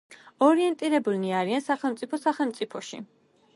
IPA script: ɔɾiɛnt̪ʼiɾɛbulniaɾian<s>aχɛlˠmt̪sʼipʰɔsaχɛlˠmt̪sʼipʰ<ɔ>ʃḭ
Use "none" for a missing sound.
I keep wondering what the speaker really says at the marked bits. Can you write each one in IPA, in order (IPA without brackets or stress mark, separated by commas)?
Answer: s, ɔ